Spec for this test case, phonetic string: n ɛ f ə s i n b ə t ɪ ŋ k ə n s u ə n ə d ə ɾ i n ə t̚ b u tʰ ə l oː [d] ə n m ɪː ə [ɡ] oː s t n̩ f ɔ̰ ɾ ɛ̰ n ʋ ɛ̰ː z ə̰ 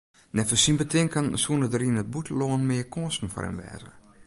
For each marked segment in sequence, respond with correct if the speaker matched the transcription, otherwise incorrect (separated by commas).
incorrect, incorrect